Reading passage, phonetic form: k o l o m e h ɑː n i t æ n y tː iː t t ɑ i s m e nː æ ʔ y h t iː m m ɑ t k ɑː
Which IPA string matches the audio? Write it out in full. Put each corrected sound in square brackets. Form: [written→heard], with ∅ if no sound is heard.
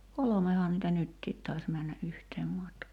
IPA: k o l o m e h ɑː n i t æ n y tː iː t t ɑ i s m [e→æ] nː æ ʔ y h t [iː→eː] m m ɑ t k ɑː